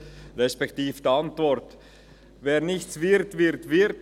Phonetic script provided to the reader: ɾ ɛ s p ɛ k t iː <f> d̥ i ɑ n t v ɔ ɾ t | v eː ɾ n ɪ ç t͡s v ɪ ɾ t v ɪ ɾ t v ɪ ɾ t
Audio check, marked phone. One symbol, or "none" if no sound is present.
f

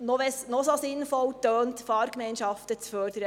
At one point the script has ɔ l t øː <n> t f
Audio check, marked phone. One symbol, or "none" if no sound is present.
n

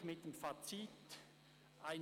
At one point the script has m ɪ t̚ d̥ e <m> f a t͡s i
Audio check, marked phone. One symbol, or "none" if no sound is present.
m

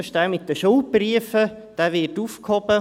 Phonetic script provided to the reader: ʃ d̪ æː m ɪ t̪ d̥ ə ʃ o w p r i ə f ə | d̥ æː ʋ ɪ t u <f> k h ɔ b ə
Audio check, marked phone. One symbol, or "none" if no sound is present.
f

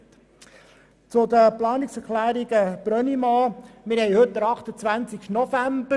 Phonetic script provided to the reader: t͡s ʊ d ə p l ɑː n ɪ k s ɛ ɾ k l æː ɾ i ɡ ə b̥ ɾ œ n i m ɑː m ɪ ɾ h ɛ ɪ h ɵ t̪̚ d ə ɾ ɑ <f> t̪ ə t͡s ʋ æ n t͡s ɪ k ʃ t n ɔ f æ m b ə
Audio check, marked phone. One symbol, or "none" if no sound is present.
χ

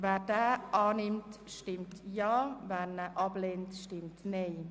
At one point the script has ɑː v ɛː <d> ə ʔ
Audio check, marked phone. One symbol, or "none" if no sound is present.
n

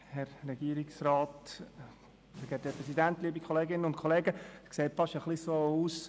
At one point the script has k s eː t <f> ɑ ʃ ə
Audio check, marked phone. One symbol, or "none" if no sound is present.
f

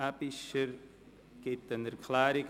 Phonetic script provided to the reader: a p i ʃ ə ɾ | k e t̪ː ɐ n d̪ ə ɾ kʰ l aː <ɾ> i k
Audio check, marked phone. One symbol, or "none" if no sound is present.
ɾ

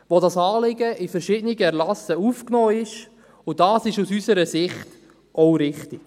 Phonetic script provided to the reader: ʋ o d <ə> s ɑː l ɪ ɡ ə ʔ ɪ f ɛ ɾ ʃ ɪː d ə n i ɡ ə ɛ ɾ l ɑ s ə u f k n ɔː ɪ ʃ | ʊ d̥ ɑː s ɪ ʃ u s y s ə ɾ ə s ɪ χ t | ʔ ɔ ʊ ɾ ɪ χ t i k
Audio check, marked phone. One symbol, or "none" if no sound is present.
ɑ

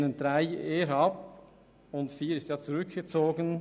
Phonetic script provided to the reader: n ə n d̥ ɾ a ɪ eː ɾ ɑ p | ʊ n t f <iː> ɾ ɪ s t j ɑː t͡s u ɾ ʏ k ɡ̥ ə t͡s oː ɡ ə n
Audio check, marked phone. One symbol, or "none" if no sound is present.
iː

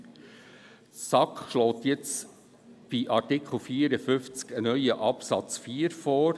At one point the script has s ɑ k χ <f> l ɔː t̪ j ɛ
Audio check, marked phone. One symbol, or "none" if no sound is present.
ʃ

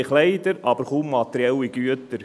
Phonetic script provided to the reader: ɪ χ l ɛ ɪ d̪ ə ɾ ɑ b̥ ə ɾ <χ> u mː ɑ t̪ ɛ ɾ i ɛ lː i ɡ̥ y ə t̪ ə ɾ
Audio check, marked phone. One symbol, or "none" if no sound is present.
χ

